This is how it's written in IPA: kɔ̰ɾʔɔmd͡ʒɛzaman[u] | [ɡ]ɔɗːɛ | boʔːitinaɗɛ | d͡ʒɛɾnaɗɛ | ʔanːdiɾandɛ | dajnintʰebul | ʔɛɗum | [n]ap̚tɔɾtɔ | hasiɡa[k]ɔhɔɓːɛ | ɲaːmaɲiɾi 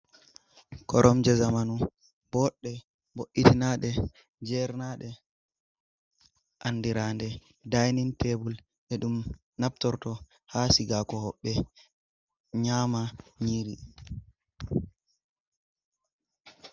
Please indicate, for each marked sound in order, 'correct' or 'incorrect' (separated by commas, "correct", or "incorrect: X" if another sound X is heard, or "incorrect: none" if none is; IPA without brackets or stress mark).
correct, incorrect: b, correct, correct